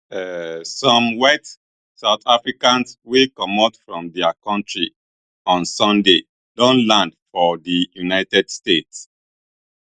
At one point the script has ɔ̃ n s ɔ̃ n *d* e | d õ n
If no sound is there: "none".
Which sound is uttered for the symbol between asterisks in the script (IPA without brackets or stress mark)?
d